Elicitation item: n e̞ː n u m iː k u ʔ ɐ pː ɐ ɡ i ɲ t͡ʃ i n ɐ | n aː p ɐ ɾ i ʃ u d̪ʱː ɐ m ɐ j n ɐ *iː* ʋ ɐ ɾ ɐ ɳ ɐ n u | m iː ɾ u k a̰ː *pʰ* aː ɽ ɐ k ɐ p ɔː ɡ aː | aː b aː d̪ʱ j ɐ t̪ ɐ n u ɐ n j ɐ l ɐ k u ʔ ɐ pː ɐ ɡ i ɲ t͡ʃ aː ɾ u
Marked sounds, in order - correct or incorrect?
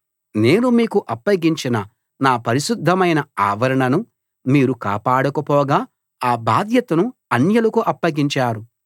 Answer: incorrect, incorrect

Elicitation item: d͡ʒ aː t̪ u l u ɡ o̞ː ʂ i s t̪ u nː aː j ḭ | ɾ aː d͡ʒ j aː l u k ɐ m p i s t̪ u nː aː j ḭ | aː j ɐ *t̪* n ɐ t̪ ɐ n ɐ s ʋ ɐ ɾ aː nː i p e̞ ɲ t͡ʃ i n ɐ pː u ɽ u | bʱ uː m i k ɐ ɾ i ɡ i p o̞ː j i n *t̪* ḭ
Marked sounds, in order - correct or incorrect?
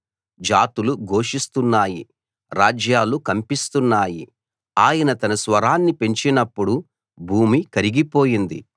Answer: incorrect, incorrect

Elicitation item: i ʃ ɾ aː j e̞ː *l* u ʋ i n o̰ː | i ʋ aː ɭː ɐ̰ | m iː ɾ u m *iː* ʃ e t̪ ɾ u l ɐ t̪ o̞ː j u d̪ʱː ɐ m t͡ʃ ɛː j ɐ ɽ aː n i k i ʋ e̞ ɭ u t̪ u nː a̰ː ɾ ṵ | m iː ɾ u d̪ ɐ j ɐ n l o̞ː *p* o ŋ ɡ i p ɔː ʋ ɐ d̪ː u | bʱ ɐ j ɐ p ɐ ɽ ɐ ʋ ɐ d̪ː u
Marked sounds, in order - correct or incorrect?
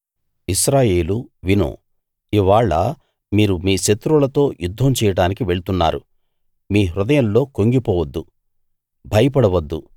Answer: correct, correct, incorrect

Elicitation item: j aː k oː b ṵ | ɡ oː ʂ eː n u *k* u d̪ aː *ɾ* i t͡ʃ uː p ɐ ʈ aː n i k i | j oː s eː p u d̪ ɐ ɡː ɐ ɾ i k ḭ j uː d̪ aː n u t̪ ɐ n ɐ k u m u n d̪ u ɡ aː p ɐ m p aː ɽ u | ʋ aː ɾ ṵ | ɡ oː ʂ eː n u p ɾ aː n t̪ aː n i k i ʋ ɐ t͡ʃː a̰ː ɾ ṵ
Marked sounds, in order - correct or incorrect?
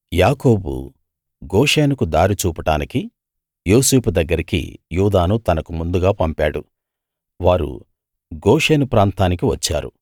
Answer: correct, correct

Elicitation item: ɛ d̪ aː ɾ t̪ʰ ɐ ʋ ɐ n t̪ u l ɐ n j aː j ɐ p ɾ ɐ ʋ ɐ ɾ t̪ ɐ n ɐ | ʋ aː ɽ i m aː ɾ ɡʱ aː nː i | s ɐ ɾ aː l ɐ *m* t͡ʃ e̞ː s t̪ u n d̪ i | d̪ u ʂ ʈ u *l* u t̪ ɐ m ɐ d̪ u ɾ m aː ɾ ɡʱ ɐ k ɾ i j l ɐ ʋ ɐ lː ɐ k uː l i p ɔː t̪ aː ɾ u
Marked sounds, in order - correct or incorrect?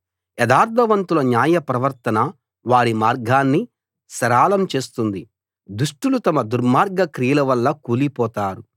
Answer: correct, correct

